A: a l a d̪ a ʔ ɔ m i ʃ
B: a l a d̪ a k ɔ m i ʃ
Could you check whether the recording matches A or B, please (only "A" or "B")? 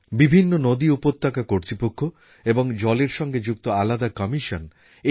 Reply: B